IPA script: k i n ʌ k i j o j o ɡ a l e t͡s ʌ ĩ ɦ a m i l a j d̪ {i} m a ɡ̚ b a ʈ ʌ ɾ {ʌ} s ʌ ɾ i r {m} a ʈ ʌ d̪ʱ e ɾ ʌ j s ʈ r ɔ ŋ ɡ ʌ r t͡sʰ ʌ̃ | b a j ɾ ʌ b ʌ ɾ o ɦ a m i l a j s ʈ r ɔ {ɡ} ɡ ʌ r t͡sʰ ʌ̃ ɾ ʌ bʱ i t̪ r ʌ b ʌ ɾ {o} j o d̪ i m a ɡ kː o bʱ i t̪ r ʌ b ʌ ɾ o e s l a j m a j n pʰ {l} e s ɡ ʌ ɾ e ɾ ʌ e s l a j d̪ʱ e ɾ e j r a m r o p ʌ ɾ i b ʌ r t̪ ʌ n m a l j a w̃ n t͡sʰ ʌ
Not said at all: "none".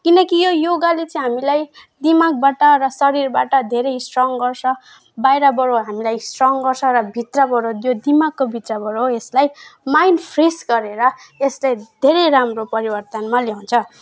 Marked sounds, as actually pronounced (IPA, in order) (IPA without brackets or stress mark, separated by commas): i, ʌ, b, ŋ, o, r